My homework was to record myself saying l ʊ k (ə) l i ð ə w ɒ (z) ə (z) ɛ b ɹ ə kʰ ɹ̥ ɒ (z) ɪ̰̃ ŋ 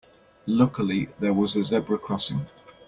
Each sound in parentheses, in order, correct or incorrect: correct, correct, correct, incorrect: s

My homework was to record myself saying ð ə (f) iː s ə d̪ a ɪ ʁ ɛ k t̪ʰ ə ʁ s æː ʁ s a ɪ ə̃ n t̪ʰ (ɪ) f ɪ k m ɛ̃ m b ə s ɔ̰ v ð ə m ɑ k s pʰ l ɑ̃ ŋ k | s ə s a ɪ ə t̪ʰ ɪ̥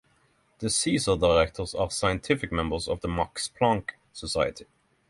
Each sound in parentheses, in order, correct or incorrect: incorrect: s, correct

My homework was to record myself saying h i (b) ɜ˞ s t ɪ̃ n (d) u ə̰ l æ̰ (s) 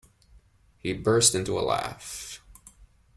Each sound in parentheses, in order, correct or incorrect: correct, incorrect: t, incorrect: f

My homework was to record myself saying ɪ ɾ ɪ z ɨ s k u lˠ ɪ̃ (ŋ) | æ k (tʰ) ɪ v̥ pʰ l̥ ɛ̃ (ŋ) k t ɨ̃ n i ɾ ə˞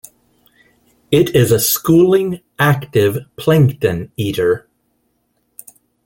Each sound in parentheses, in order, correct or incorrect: correct, incorrect: t, correct

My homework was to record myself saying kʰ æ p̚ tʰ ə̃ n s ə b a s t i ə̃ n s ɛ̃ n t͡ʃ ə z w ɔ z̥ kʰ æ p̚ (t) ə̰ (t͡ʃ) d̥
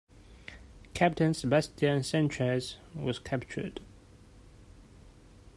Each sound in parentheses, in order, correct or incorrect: incorrect: t͡ʃ, incorrect: none

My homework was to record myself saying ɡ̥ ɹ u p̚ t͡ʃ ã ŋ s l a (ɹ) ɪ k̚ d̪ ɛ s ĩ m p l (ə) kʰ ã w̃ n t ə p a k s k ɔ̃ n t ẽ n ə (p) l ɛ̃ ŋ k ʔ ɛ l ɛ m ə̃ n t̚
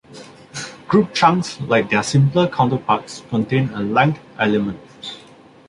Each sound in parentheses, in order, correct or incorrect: incorrect: none, correct, incorrect: none

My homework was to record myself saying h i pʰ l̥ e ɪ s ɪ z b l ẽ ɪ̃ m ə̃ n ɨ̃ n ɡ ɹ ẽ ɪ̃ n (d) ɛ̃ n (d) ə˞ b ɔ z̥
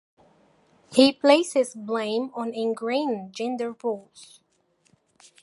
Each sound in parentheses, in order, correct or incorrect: incorrect: d͡ʒ, correct

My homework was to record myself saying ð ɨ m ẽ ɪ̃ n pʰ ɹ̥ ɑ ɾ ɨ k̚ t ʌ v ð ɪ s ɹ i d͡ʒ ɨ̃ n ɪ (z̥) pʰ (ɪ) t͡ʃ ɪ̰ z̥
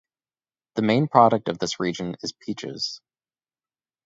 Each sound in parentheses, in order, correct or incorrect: correct, incorrect: i

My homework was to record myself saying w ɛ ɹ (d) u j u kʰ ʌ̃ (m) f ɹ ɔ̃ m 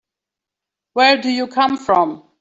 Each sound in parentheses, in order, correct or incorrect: correct, correct

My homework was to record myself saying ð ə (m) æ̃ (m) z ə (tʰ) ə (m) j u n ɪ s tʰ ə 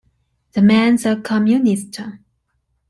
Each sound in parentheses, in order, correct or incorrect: correct, incorrect: n, incorrect: kʰ, correct

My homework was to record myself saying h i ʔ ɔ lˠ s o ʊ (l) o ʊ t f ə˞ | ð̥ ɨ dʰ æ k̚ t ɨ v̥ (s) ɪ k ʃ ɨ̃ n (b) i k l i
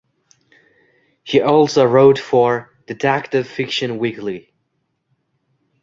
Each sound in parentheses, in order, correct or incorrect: incorrect: ɹ, incorrect: f, incorrect: w

